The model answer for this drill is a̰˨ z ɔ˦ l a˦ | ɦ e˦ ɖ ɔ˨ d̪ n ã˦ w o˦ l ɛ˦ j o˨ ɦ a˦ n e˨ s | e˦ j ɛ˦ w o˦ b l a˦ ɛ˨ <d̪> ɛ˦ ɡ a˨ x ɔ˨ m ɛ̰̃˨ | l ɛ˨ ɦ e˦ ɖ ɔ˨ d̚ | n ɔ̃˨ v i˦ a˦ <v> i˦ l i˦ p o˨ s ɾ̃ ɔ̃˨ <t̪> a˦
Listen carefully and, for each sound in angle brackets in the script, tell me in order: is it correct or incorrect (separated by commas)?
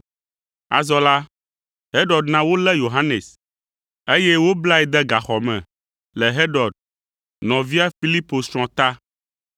correct, incorrect, correct